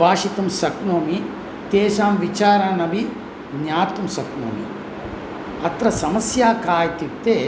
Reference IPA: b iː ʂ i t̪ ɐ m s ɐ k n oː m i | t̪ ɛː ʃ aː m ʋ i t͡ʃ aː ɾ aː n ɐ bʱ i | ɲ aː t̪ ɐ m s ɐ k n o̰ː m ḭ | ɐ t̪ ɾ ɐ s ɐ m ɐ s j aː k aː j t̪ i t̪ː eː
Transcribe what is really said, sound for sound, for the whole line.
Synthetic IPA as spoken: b aː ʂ i t̪ ɐ m s ɐ k n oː m i | t̪ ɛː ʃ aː m ʋ i t͡ʃ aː ɾ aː n ɐ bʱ i | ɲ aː t̪ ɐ m s ɐ k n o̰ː m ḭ | ɐ t̪ ɾ ɐ s ɐ m ɐ s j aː k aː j t̪ i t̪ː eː